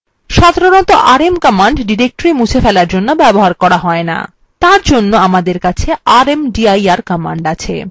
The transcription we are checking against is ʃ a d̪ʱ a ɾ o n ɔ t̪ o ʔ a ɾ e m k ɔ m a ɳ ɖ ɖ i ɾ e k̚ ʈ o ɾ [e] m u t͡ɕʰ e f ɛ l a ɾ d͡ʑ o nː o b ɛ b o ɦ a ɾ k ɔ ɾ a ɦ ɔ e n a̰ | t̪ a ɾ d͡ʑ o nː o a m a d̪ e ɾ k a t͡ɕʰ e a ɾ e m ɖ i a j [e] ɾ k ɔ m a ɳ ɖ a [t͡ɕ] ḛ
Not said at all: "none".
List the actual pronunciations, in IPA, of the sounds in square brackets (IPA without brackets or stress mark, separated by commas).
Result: i, a, t͡ɕʰ